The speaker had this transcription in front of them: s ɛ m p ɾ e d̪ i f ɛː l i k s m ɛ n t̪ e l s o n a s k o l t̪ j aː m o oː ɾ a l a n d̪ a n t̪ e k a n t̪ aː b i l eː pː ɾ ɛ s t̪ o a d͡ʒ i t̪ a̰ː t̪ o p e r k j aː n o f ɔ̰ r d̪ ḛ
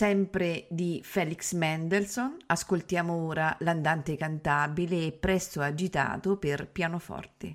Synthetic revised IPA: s ɛ m p ɾ e d̪ i f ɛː l i k s m ɛ n d̪ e l s o n a s k o l t̪ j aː m o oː ɾ a l a n d̪ a n t̪ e k a n t̪ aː b i l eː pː ɾ ɛ s t̪ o a d͡ʒ i t̪ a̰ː t̪ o p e r p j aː n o f ɔ̰ r t̪ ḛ